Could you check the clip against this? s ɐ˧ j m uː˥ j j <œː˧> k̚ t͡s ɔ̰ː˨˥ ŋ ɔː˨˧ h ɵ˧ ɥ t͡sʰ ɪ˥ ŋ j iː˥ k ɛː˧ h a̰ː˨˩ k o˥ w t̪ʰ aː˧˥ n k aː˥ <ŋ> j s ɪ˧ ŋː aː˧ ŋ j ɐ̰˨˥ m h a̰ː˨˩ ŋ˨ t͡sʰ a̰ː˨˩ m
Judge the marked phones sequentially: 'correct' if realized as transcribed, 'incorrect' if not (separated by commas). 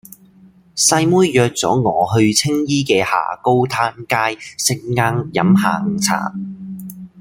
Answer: correct, incorrect